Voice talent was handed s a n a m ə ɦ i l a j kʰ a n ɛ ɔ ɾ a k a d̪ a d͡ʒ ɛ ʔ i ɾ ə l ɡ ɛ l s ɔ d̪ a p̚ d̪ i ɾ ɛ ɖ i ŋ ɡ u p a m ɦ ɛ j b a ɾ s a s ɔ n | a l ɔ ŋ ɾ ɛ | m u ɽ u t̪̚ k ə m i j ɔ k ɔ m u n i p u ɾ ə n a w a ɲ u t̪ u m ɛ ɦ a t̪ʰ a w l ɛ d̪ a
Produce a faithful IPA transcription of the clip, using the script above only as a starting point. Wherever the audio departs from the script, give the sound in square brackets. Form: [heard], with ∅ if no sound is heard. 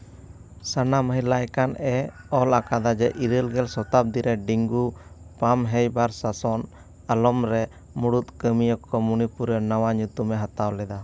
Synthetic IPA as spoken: s a n a m ə ɦ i l a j [k] a n ɛ ɔ [l] a k a d̪ a d͡ʒ ɛ ʔ i ɾ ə l ɡ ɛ l s ɔ [t̪] a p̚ d̪ i ɾ ɛ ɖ i ŋ ɡ u p a m ɦ ɛ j b a ɾ s a s ɔ n | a l ɔ [m] ɾ ɛ | m u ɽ u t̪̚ k ə m i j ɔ k ɔ m u n i p u ɾ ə n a w a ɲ u t̪ u m ɛ ɦ a [t̪] a w l ɛ d̪ a

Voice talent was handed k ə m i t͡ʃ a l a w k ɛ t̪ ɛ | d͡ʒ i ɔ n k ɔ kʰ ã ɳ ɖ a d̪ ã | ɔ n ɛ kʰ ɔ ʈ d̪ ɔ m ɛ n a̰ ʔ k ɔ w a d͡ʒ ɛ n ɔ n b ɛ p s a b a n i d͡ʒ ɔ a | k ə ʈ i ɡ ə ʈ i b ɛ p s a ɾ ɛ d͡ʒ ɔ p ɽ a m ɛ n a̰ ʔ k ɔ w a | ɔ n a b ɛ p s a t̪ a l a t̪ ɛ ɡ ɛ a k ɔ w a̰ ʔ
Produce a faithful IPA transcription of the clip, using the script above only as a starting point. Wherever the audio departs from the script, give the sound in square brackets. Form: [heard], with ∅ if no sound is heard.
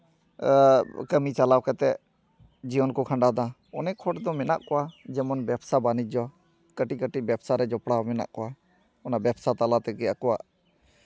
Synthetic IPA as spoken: k ə m i t͡ʃ a l a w k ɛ t̪ ɛ | d͡ʒ i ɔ n k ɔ kʰ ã ɳ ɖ a d̪ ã | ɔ n ɛ kʰ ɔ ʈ d̪ ɔ m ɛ n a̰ ʔ k ɔ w a d͡ʒ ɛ [m] ɔ n b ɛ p s a b a n i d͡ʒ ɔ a | k ə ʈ i [k] ə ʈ i b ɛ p s a ɾ ɛ d͡ʒ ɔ p ɽ a m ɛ n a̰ ʔ k ɔ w a | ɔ n a b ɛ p s a t̪ a l a t̪ ɛ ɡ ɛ a k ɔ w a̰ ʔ

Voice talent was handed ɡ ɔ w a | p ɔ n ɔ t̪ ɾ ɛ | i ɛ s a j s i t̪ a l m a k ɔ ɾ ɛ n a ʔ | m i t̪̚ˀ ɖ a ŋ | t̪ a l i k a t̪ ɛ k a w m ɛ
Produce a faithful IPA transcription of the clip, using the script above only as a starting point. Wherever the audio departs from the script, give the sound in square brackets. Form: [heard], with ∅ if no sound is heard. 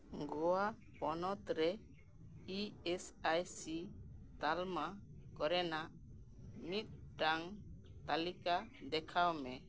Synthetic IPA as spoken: ɡ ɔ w a | p ɔ n ɔ t̪ ɾ ɛ | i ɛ s a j s i t̪ a l m a k ɔ ɾ ɛ n a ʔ | m i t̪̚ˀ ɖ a ŋ | t̪ a l i k a [d̪] ɛ [kʰ] a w m ɛ

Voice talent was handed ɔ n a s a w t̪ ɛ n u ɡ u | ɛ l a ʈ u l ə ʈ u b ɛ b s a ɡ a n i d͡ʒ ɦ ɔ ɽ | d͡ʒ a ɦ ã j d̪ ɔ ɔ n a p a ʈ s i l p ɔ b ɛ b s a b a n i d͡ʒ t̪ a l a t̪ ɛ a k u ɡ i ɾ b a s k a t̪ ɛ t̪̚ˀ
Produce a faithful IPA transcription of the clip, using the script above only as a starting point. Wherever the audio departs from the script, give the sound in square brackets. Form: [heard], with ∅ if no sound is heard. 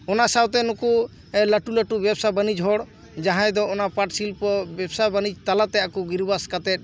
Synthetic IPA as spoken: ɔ n a s a w t̪ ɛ n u [k] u | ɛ l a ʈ u l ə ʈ u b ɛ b s a [b] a n i d͡ʒ ɦ ɔ ɽ | d͡ʒ a ɦ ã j d̪ ɔ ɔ n a p a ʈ s i l p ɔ b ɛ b s a b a n i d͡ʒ t̪ a l a t̪ ɛ a k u ɡ i ɾ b a s k a t̪ ɛ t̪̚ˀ

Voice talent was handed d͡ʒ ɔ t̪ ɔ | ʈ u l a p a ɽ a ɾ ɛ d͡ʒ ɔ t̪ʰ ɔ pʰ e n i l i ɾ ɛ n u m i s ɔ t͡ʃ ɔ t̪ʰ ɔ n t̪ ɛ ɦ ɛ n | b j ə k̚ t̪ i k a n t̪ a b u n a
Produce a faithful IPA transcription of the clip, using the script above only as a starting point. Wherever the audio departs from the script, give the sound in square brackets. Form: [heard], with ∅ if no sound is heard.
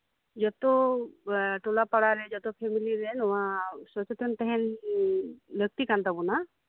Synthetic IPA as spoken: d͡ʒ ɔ t̪ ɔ | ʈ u l a p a ɽ a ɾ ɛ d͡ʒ ɔ [t̪] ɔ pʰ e [m] i l i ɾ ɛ n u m [a] s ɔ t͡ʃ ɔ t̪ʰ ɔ n t̪ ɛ ɦ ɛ n | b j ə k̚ t̪ i k a n t̪ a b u n a

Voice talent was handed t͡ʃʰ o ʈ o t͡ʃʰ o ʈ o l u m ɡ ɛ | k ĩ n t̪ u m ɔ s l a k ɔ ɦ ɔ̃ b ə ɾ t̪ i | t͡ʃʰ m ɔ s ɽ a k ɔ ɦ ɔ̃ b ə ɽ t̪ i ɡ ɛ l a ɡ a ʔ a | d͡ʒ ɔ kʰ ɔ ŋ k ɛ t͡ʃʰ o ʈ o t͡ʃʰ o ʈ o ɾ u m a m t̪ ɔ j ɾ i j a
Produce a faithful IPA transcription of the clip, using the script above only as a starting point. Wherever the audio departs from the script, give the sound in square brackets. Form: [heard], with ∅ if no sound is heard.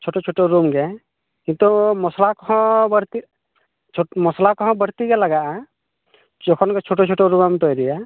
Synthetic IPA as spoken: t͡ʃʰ o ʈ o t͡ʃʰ o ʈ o [ɾ] u m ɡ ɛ | k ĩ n t̪ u m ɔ s l a k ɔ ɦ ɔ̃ b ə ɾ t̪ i | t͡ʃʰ m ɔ s [l] a k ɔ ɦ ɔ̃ b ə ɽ t̪ i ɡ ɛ l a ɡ a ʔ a | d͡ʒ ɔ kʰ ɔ [n] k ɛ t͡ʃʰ o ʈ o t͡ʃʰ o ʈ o ɾ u m a m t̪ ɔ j ɾ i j a

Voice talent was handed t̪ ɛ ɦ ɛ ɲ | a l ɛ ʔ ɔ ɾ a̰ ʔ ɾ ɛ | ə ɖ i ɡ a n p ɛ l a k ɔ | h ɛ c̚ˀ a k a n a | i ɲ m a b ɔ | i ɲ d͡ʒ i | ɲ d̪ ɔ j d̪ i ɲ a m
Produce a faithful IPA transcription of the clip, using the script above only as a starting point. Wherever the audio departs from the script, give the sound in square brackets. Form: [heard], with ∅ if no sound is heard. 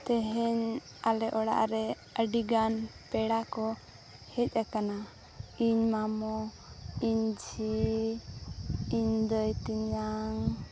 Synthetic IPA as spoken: t̪ ɛ ɦ ɛ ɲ | a l ɛ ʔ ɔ [ɽ] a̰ ʔ ɾ ɛ | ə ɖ i ɡ a n p ɛ [ɽ] a k ɔ | h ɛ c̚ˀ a k a n a | i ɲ m a [m] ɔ | i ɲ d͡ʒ i | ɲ d̪ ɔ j [t̪] i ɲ a [ŋ]

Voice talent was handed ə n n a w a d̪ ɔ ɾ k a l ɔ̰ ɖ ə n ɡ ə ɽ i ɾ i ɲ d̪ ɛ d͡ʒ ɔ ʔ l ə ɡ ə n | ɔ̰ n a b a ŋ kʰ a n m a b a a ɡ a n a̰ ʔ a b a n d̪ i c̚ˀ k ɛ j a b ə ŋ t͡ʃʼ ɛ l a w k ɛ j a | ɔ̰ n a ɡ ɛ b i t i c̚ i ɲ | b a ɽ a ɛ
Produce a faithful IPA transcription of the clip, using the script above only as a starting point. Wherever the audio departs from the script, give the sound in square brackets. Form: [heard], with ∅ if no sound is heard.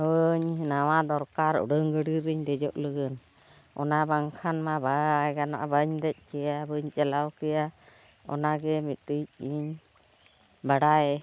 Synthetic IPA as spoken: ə [ɲ] n a w a d̪ ɔ ɾ k a [ɾ] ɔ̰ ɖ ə [ŋ] ɡ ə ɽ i ɾ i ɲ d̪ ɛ d͡ʒ ɔ ʔ l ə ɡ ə n | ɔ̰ n a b a ŋ kʰ a n m a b a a ɡ a n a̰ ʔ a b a [ɲ] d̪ [ɛ] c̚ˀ k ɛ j a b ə [ɲ] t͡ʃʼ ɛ l a w k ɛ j a | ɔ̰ n a ɡ ɛ [m] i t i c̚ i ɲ | b a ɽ a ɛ

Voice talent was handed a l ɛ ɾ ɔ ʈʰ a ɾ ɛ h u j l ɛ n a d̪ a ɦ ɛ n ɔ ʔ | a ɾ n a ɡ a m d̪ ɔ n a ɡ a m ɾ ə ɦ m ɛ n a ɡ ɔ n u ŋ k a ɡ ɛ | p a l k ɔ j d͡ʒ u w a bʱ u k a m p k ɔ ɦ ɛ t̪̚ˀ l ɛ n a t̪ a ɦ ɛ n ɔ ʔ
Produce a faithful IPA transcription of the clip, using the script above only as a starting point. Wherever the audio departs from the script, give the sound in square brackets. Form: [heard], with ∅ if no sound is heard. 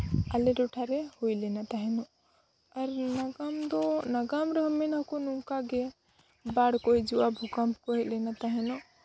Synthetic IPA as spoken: a l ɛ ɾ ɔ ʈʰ a ɾ ɛ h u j l ɛ n a [t̪] a ɦ ɛ n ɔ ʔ | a ɾ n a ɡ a m d̪ ɔ n a ɡ a m ɾ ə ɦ m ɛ n a [k] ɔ n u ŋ k a ɡ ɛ | [b] a [ɽ] k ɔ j d͡ʒ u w a bʱ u k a m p k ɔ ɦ ɛ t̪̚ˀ l ɛ n a t̪ a ɦ ɛ n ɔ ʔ

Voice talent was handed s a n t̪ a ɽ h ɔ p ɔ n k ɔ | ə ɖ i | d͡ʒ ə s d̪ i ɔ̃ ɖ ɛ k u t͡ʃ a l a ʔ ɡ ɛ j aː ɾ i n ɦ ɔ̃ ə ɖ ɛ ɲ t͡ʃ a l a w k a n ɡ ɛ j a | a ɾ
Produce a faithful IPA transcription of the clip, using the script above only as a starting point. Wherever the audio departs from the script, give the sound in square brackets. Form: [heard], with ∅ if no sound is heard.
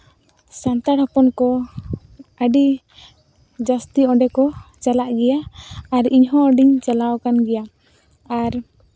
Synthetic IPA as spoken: s a n t̪ a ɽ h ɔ p ɔ n k ɔ | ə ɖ i | d͡ʒ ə s [t̪] i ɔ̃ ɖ ɛ k [ɔ] t͡ʃ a l a ʔ ɡ ɛ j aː ɾ i [ɲ] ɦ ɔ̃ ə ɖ [i] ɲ t͡ʃ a l a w k a n ɡ ɛ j a | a ɾ

